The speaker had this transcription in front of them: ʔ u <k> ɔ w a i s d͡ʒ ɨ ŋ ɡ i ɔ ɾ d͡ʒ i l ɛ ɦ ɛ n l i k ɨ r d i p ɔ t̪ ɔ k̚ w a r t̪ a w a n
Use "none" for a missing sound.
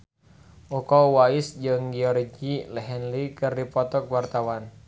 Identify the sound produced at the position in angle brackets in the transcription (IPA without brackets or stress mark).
k